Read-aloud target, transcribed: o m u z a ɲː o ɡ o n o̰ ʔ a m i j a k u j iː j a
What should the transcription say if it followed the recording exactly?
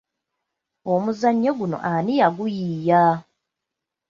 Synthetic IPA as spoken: o m u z a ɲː o ɡ u n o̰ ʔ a n i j a ɡ u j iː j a